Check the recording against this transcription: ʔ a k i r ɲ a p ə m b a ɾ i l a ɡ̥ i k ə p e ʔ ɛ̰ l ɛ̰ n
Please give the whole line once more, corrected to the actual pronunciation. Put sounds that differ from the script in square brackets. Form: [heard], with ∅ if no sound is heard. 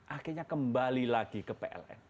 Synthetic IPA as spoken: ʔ a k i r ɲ a [k] ə m b a [l] i l a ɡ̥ i k ə p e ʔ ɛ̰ l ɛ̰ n